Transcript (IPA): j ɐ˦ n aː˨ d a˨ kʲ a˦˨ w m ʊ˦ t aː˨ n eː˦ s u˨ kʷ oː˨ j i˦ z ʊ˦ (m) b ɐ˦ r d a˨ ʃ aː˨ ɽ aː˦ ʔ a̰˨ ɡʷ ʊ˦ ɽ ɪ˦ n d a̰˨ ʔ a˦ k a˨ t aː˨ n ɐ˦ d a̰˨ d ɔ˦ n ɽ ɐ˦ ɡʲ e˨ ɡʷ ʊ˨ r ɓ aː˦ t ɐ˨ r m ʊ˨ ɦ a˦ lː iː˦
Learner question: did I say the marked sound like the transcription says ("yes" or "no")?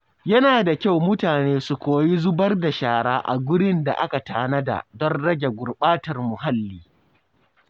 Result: no